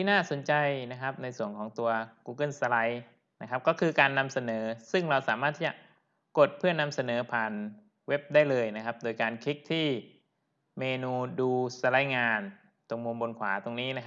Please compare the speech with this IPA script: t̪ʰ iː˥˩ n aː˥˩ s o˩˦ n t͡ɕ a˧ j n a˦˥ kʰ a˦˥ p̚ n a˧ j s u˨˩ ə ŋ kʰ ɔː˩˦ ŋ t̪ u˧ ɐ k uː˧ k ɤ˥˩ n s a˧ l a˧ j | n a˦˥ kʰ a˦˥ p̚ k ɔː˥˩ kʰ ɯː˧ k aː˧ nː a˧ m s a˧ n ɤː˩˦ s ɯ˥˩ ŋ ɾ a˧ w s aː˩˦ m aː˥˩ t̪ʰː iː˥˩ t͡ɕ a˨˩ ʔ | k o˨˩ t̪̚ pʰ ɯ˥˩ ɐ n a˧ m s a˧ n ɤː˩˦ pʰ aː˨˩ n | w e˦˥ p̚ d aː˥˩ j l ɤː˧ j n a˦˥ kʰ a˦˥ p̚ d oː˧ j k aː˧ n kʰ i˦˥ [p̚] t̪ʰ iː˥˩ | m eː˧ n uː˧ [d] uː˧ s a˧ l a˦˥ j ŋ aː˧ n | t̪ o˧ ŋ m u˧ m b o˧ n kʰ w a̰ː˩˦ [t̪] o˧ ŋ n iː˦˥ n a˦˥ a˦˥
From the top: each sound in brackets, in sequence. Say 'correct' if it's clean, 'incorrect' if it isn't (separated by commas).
incorrect, correct, correct